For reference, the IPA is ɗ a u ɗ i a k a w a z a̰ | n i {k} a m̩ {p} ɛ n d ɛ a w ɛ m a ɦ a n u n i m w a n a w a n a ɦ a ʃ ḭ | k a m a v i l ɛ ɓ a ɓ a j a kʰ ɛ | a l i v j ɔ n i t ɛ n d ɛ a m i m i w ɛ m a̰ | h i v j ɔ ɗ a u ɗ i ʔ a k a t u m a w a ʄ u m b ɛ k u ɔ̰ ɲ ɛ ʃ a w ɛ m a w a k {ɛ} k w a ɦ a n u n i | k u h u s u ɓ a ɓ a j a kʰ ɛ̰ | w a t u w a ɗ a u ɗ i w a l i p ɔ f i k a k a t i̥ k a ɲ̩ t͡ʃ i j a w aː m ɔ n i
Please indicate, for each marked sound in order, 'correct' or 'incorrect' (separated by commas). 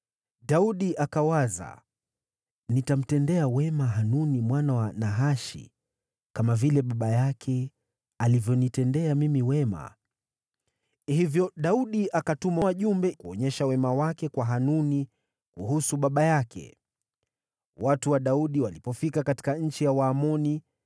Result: incorrect, incorrect, correct